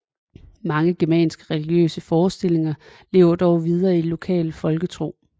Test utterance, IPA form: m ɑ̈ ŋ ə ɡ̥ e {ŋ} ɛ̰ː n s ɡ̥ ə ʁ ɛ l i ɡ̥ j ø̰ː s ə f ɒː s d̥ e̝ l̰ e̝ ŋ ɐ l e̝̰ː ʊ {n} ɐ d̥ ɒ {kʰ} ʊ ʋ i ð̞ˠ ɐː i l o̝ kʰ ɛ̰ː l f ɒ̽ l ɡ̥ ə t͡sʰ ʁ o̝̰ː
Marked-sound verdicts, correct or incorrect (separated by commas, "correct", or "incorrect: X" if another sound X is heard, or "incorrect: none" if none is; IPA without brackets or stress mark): incorrect: m, incorrect: none, incorrect: none